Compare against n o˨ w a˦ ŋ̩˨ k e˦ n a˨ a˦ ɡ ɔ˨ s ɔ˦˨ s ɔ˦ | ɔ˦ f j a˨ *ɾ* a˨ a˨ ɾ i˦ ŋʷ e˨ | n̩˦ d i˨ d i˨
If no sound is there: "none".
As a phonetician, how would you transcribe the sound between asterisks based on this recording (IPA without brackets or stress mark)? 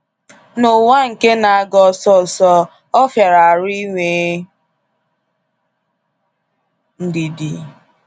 ɾ